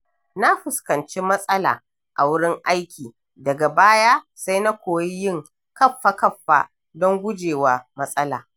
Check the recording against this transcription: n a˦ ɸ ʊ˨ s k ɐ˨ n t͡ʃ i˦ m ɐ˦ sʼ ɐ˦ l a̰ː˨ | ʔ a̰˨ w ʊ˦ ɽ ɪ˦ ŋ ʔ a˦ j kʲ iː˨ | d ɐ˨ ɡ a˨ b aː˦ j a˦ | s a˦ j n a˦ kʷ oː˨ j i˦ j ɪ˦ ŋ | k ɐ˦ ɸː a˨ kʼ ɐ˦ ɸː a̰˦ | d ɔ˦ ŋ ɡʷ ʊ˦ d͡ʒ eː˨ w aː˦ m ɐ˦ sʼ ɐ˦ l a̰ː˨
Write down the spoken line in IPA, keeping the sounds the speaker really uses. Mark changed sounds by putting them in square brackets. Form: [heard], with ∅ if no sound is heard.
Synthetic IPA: n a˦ ɸ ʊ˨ s k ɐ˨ n t͡ʃ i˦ m ɐ˦ sʼ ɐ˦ l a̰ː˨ | ʔ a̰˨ w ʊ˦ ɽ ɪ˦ ŋ ʔ a˦ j kʲ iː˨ | d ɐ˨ ɡ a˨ b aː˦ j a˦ | s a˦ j n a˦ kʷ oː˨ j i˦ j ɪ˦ ŋ | k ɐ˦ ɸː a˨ [k] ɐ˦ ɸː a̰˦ | d ɔ˦ ŋ ɡʷ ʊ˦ d͡ʒ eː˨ w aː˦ m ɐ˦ sʼ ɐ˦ l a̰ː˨